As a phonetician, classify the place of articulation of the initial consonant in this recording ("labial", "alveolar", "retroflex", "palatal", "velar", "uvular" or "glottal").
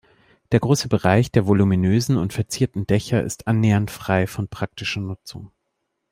alveolar